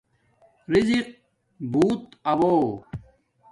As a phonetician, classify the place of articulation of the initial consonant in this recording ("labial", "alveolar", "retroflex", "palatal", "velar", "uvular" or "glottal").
alveolar